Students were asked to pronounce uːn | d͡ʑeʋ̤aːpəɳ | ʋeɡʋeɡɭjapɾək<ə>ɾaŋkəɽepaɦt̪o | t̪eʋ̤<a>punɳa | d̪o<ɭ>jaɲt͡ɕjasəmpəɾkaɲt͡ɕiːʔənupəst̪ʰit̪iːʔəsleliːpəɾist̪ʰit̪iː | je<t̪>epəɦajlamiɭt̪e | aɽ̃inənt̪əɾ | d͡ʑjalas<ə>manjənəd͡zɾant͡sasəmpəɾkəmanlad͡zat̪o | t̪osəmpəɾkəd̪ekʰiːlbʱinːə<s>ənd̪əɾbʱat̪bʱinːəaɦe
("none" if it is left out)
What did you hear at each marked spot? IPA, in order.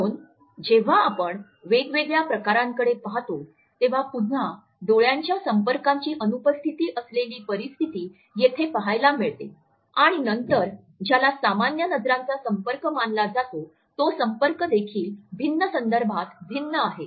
a, a, ɭ, t̪ʰ, a, s

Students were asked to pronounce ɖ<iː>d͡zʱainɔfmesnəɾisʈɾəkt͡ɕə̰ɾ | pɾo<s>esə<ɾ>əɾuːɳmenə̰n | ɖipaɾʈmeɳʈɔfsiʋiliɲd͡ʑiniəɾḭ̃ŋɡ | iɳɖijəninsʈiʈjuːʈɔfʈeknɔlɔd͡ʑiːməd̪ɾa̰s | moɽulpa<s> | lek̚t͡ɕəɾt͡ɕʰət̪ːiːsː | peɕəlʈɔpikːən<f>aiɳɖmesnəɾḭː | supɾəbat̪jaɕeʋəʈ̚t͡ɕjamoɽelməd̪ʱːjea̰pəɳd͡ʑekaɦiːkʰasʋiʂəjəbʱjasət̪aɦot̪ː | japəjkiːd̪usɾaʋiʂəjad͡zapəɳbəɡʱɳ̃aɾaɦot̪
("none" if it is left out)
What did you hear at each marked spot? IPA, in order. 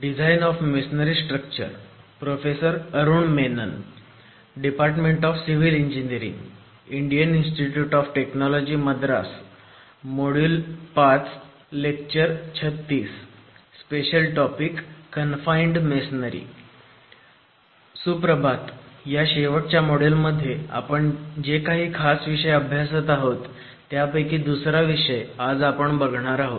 i, f, ɾ, t͡s, f

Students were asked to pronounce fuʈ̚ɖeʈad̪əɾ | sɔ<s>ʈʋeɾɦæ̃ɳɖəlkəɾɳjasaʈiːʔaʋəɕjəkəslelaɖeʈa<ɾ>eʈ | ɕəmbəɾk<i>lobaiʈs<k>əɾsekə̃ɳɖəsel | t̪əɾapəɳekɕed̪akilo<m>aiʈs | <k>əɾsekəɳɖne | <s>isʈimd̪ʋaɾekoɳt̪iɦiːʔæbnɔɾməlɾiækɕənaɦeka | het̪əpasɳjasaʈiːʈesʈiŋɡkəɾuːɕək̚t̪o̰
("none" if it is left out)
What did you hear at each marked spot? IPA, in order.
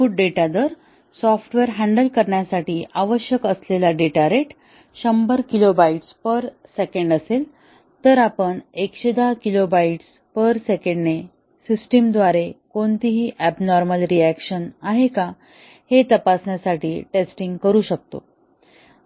f, ɾ, i, p, b, p, s

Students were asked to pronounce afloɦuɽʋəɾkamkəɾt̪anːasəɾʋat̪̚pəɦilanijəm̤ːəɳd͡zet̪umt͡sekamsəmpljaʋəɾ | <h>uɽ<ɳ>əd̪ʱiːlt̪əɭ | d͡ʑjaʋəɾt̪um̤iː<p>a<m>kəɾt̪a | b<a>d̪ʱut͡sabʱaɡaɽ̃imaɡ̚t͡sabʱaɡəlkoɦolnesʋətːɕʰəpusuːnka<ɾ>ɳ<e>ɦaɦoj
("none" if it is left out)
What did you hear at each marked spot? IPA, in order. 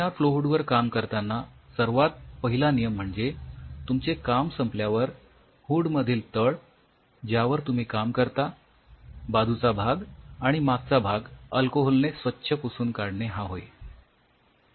h, m, k, m, a, ɽ, e

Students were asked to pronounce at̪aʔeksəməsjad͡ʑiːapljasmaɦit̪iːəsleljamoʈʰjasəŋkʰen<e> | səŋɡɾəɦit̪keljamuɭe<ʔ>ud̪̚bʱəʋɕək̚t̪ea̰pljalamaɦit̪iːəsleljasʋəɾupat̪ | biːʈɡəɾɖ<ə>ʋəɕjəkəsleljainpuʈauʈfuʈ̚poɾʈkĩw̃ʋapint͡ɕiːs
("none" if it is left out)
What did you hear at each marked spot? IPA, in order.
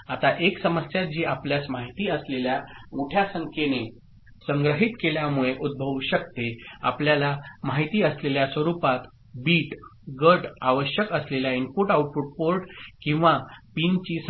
e, ʔ, a

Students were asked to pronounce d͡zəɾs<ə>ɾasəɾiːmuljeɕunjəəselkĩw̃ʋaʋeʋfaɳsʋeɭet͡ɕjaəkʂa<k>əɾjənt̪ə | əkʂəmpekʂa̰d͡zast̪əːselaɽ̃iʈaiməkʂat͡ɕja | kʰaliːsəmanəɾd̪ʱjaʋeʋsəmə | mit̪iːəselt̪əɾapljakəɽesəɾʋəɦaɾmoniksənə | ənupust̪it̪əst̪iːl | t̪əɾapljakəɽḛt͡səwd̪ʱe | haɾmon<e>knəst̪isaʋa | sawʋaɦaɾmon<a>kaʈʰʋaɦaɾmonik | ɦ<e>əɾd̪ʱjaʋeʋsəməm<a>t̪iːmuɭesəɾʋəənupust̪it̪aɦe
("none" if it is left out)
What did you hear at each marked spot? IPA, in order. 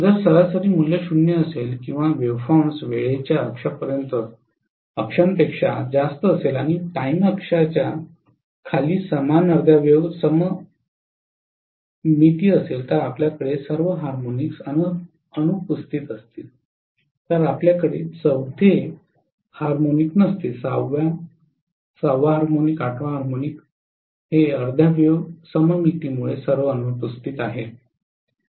ə, p, i, i, e, i

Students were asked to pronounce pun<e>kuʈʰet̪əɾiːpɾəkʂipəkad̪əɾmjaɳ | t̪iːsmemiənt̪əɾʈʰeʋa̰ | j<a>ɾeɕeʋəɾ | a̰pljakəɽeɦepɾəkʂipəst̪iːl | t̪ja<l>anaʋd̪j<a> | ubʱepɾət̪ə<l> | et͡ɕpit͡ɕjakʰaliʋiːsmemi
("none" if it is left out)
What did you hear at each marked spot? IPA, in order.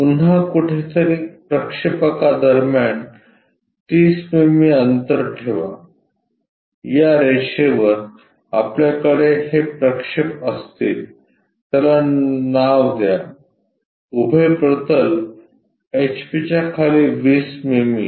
a, a, l, a, l

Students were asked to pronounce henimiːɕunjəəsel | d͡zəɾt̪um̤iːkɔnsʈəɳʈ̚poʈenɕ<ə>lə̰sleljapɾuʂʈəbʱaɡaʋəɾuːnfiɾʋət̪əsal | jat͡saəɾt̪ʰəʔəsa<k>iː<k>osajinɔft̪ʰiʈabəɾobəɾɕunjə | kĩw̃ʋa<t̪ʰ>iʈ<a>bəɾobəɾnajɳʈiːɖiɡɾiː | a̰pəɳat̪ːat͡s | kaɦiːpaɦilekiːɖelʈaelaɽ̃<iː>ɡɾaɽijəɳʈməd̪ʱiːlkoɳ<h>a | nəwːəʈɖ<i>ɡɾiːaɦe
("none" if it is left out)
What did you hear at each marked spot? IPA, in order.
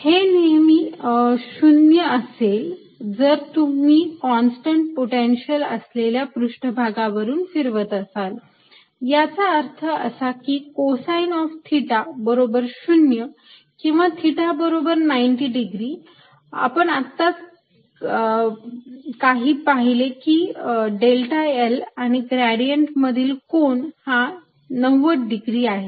ə, k, k, t̪ʰ, a, i, h, i

